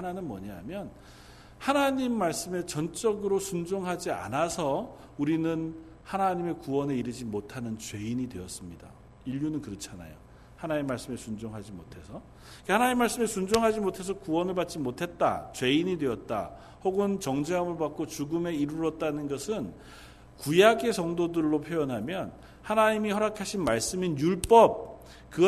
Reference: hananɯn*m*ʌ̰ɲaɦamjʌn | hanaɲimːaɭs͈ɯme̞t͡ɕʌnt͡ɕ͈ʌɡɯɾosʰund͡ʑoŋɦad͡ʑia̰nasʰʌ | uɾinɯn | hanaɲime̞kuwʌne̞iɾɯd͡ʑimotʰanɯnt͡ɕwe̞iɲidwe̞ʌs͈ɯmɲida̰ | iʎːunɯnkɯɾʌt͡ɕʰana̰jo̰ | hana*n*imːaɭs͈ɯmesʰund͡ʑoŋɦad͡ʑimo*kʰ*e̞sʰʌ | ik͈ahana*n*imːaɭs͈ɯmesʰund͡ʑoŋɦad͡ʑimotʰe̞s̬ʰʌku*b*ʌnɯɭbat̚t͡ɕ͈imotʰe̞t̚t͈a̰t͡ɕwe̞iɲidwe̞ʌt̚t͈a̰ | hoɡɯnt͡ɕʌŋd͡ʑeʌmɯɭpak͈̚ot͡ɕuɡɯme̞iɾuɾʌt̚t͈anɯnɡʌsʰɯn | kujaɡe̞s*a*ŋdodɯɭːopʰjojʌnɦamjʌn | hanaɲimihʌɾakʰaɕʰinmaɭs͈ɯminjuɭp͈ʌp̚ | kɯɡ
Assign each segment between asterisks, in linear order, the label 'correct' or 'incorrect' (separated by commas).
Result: correct, incorrect, incorrect, incorrect, incorrect, incorrect